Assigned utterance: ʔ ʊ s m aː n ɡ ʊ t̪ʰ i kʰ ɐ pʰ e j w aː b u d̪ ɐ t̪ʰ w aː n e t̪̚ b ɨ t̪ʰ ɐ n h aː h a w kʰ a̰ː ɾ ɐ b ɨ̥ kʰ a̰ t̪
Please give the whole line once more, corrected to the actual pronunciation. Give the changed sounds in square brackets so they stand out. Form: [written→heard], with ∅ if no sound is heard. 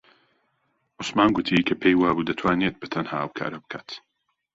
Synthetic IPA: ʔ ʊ s m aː n ɡ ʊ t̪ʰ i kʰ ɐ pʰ e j w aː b u d̪ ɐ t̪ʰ w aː n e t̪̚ b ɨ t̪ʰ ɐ n h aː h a w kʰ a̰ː ɾ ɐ b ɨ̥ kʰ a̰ t̪